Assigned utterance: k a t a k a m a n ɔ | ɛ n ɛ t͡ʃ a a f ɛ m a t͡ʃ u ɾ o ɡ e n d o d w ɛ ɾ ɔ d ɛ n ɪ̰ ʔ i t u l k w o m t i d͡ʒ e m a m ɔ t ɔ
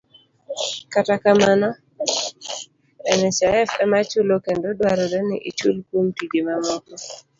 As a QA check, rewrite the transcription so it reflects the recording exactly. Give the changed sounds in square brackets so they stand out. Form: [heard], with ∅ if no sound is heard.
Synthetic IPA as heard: k a t a k a m a n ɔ | ɛ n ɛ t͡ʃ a [ɛ] f ɛ m a t͡ʃ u [l] o [k] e n d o d w [a] ɾ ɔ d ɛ n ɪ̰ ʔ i [t͡ʃ] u l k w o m t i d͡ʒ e m a m ɔ t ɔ